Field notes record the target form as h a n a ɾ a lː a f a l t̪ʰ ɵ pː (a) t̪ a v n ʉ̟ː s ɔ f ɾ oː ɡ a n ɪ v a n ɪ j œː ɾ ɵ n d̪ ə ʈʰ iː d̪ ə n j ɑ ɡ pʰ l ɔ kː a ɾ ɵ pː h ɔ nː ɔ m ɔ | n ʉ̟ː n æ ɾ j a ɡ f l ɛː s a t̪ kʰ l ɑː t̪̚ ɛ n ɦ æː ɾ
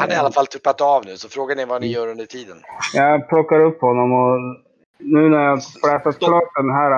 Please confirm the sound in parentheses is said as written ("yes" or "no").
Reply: yes